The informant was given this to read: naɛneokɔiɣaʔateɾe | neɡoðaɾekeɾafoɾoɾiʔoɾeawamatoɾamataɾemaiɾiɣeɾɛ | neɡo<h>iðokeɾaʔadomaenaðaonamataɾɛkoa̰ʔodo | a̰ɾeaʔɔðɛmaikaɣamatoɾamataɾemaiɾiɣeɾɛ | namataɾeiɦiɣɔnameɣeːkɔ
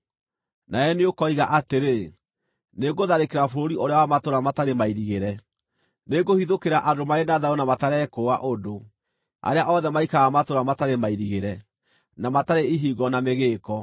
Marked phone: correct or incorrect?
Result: correct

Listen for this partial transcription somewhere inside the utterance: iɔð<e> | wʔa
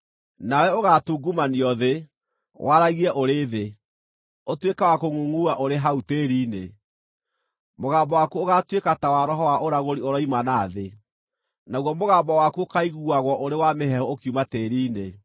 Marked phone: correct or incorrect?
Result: correct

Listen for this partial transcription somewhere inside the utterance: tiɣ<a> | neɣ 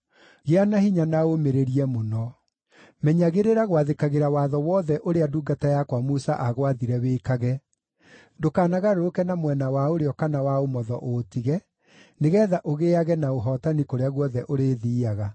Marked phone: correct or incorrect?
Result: incorrect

